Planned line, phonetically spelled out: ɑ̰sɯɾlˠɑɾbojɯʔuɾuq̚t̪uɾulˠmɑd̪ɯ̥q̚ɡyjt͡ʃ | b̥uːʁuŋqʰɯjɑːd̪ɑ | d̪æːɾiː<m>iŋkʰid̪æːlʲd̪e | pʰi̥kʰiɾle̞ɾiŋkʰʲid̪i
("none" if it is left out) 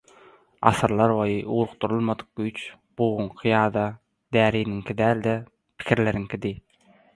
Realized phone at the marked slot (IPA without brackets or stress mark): n